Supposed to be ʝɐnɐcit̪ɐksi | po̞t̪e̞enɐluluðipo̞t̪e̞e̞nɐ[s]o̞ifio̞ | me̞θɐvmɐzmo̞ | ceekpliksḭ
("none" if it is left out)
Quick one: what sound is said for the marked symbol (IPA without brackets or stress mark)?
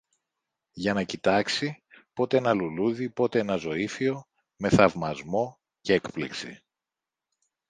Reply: z